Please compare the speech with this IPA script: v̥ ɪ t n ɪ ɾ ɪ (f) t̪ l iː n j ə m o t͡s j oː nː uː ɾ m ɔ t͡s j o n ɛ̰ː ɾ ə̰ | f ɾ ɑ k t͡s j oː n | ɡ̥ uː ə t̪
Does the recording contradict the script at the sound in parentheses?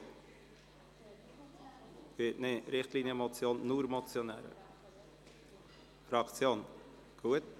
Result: yes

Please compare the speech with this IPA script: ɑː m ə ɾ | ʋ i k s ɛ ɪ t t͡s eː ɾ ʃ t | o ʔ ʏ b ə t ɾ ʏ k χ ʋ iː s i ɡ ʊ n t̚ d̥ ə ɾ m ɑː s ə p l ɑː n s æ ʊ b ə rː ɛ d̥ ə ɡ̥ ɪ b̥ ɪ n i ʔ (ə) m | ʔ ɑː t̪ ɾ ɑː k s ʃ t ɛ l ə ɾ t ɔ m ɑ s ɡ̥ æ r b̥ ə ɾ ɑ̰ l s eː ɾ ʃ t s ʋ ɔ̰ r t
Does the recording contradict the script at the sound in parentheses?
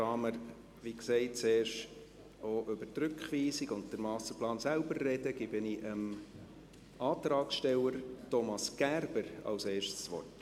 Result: no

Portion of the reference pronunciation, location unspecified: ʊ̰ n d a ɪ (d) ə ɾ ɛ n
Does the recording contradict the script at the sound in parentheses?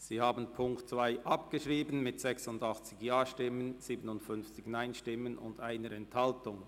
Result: yes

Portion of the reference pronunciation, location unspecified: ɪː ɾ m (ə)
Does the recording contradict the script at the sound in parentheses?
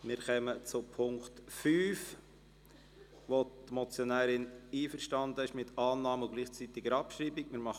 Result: yes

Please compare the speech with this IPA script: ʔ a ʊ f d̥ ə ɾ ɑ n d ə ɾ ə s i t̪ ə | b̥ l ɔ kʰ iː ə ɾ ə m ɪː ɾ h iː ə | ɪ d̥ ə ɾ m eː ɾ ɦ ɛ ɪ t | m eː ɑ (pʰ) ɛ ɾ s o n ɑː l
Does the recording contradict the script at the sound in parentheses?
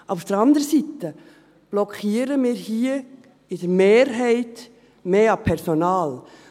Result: no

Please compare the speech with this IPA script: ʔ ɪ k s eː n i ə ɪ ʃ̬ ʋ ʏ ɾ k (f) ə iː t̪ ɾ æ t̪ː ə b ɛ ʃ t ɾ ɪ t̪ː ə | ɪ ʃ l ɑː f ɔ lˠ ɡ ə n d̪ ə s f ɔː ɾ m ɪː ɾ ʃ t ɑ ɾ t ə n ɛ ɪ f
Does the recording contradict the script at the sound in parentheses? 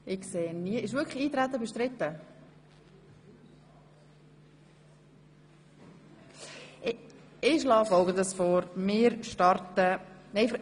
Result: yes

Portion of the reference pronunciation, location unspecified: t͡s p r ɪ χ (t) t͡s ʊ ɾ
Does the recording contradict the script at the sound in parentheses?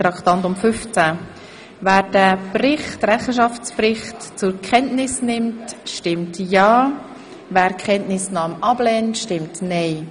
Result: no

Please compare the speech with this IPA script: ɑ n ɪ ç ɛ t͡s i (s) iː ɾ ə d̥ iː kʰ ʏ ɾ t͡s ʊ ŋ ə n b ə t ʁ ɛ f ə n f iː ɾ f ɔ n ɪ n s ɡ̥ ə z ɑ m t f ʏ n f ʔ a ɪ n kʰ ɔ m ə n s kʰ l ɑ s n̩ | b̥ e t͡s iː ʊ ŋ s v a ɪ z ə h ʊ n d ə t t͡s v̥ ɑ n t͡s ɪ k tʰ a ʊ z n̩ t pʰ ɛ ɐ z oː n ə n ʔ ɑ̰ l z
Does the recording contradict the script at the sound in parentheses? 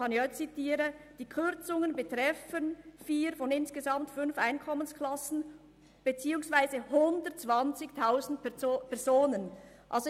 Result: yes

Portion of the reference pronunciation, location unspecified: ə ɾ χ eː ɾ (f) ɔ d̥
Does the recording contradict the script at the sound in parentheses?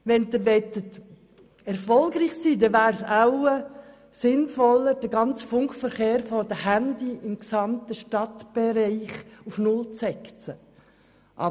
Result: no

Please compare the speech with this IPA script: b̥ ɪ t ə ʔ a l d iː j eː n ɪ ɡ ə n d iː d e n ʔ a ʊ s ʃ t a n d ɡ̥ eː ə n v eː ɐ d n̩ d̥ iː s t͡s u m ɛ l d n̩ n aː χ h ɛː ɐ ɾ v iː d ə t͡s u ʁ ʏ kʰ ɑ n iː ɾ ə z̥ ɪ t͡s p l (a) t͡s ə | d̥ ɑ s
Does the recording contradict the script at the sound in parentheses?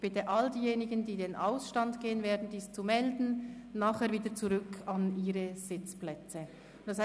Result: yes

